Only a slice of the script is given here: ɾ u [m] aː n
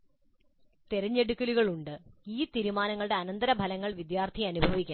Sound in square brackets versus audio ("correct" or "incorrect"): correct